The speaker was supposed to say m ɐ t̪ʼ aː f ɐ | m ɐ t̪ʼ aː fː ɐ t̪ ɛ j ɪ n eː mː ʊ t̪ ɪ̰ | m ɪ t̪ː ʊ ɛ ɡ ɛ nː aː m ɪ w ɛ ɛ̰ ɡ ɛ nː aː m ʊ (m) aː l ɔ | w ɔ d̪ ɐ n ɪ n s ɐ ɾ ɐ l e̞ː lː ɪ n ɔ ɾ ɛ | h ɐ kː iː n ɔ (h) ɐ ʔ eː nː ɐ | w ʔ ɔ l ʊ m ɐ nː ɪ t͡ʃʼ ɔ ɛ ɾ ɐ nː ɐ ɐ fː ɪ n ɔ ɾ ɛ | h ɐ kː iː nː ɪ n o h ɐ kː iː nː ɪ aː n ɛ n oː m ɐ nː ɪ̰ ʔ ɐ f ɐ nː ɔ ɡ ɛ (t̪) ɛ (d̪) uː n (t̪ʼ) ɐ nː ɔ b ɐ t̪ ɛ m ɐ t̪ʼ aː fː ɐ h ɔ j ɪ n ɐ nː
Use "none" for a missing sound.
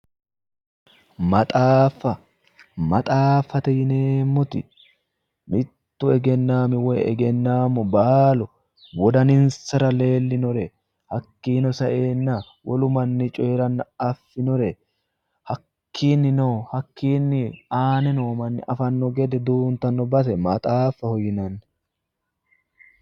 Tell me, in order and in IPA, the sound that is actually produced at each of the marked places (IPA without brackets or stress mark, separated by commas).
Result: b, s, d̪, d̪, t̪